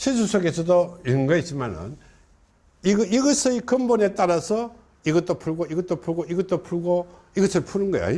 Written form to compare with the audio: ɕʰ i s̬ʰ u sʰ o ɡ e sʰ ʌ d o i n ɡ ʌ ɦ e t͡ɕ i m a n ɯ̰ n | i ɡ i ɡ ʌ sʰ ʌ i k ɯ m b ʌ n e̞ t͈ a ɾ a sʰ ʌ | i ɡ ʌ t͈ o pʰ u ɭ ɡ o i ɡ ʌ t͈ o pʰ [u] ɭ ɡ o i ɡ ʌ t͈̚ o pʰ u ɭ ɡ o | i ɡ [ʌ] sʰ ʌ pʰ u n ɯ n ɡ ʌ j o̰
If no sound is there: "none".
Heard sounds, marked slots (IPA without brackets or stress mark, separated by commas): u, ʌ